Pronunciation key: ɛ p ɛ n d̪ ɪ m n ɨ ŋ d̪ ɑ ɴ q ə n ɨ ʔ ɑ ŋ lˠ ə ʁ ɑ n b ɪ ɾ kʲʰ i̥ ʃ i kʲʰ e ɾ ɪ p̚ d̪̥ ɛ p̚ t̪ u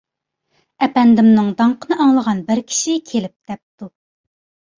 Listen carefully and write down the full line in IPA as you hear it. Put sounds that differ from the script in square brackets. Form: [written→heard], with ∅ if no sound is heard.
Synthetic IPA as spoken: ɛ p ɛ n d̪ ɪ m n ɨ ŋ d̪ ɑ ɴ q ə n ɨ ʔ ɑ ŋ lˠ ə ʁ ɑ n b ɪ ɾ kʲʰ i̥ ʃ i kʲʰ e [ɾ→l] ɪ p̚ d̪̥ ɛ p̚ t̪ u